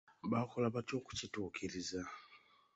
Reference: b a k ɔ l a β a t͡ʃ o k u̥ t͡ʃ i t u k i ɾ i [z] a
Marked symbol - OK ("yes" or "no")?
yes